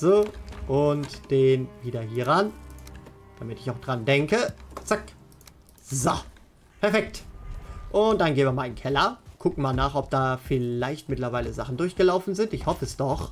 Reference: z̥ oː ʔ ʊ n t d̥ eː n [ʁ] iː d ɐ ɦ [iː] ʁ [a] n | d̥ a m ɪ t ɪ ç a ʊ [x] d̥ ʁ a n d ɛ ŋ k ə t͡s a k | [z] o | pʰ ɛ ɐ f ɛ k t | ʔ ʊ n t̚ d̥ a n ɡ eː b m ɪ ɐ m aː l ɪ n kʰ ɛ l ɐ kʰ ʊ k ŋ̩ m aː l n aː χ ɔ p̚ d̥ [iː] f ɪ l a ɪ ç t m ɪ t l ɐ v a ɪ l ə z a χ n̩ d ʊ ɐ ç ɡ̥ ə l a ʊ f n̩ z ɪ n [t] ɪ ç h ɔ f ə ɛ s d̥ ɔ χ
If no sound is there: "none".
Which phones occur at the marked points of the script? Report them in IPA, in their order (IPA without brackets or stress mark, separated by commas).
v, iː, a, x, z, aː, t